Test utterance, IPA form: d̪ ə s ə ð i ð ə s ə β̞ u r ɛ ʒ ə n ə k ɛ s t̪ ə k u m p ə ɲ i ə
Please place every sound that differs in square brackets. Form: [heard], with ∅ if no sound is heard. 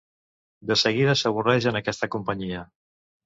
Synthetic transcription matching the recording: d̪ ə s ə [ɣ] i ð ə s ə β̞ u r ɛ ʒ ə n ə k ɛ s t̪ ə k u m p ə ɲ i ə